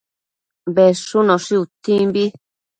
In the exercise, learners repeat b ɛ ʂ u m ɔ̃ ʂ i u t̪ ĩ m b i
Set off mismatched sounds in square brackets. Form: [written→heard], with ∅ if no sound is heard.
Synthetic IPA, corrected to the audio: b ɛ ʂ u [m→n] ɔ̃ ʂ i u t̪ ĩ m b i